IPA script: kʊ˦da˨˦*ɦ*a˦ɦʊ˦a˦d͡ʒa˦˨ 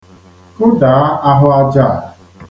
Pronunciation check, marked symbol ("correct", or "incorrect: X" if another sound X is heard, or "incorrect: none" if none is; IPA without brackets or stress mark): incorrect: none